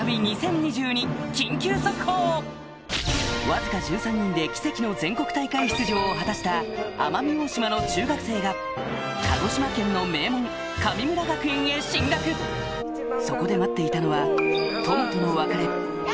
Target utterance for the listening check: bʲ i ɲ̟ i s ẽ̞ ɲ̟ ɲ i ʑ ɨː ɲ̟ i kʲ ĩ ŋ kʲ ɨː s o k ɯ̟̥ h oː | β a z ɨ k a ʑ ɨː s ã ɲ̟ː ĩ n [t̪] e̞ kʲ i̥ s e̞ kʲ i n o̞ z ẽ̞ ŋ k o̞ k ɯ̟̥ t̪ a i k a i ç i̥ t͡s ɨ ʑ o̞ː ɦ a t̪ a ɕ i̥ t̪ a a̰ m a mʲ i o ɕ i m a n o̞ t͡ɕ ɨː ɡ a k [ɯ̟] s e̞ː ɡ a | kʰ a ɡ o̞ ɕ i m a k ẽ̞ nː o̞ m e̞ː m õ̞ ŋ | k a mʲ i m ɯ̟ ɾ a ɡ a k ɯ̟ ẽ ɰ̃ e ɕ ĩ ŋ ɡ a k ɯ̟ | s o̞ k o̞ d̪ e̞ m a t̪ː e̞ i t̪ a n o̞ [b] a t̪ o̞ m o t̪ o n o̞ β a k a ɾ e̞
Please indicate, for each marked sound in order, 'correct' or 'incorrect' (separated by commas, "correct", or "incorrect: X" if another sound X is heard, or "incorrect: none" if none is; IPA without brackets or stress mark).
incorrect: d̪, correct, incorrect: β